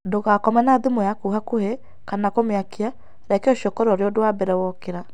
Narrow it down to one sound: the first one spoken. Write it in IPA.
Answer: d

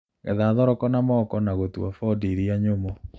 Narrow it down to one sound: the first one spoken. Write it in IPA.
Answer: ɣ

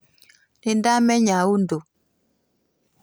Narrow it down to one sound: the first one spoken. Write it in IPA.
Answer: n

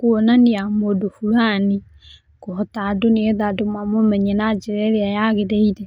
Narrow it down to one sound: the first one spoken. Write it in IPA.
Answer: k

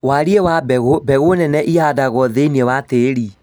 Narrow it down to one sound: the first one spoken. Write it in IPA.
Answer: w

